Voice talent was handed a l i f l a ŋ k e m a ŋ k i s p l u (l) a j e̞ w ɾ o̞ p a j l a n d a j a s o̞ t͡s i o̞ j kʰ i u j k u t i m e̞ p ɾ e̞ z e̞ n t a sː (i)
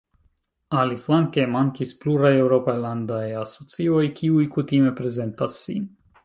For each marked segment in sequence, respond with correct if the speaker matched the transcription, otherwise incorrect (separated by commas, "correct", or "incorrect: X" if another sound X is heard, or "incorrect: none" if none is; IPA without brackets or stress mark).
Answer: incorrect: ɾ, correct